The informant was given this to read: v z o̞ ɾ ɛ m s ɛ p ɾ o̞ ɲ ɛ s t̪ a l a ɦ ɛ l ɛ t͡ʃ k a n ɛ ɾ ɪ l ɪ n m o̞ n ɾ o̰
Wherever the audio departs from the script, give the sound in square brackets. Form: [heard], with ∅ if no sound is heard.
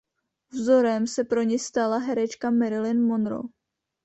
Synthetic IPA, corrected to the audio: v z o̞ ɾ ɛ m s ɛ p ɾ o̞ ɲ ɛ s t̪ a l a ɦ ɛ [ɾ] ɛ t͡ʃ k a [m] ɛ ɾ ɪ l ɪ n m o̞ n ɾ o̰

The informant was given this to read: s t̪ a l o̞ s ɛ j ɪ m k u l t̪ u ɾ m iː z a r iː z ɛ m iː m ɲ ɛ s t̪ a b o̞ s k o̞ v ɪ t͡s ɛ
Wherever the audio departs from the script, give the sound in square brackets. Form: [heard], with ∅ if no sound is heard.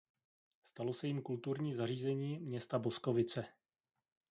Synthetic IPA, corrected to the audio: s t̪ a l o̞ s ɛ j ɪ m k u l t̪ u ɾ [ɲ] iː z a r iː z ɛ [ɲ] iː m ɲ ɛ s t̪ a b o̞ s k o̞ v ɪ t͡s ɛ

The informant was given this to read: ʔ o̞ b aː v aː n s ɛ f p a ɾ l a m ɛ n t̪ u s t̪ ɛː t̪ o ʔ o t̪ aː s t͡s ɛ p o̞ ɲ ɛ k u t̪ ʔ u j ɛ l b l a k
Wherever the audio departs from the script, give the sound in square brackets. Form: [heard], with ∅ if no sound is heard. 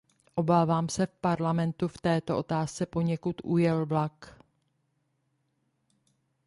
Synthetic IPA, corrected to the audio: ʔ o̞ b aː v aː [m] s ɛ f p a ɾ l a m ɛ n t̪ u [f] t̪ ɛː t̪ o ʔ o t̪ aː s t͡s ɛ p o̞ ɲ ɛ k u t̪ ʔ u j ɛ l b l a k

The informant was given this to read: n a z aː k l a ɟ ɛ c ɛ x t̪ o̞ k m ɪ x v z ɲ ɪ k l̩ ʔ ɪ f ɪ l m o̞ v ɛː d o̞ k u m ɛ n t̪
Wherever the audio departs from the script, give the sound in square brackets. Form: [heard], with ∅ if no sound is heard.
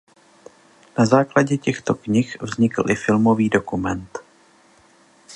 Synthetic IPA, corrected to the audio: n a z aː k l a ɟ ɛ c ɛ x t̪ o̞ k [ɲ] ɪ x v z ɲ ɪ k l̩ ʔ ɪ f ɪ l m o̞ v [iː] d o̞ k u m ɛ n t̪

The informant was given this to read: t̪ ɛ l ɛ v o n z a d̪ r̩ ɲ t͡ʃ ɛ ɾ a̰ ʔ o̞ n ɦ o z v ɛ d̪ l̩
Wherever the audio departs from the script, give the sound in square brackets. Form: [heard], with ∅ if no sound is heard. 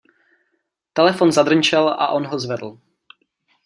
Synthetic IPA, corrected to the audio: t̪ ɛ l ɛ [f] o n z a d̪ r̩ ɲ t͡ʃ ɛ [l] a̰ ʔ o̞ n ɦ o z v ɛ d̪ l̩

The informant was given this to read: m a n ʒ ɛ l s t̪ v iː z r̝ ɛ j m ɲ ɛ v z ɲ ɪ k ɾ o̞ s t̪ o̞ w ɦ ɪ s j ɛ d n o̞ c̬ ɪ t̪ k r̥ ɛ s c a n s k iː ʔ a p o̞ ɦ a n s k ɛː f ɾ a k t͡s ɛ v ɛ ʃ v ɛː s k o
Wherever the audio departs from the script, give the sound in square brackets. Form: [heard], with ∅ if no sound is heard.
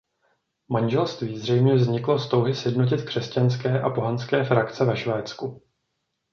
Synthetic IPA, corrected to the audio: m a n ʒ ɛ l s t̪ v iː z r̝ ɛ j m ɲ ɛ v z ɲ ɪ k [l] o̞ s t̪ o̞ w ɦ ɪ s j ɛ d n o̞ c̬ ɪ t̪ k r̥ ɛ s c a n s k [ɛː] ʔ a p o̞ ɦ a n s k ɛː f ɾ a k t͡s ɛ v ɛ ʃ v ɛː [t͡s] k [u]

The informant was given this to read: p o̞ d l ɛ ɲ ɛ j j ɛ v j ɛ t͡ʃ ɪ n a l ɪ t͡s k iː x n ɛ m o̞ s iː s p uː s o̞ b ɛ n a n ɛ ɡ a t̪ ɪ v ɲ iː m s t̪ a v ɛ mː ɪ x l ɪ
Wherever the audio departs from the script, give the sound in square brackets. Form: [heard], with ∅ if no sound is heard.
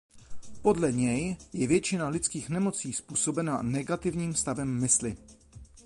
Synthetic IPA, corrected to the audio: p o̞ d l ɛ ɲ ɛ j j ɛ v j ɛ t͡ʃ ɪ n a l ɪ t͡s k iː x n ɛ m o̞ [t͡s] iː s p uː s o̞ b ɛ n a n ɛ ɡ a t̪ ɪ v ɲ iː m s t̪ a v ɛ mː ɪ [s] l ɪ

